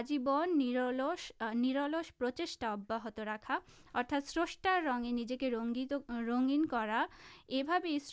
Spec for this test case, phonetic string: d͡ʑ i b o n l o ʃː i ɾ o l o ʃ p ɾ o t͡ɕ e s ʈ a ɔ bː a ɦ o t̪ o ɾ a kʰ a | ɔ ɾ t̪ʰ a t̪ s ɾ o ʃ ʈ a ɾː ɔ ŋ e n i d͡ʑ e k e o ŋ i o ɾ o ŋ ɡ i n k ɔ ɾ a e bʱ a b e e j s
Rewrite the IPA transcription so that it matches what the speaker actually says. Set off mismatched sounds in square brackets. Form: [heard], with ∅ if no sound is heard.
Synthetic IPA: d͡ʑ i b o n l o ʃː i ɾ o l o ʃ p ɾ o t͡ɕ e [ʃ] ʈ a ɔ bː a ɦ o t̪ o ɾ a kʰ a | ɔ ɾ t̪ʰ a t̪ s ɾ o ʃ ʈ a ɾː ɔ ŋ e n i d͡ʑ e k e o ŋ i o ɾ o ŋ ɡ i n k ɔ ɾ a e bʱ a b e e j s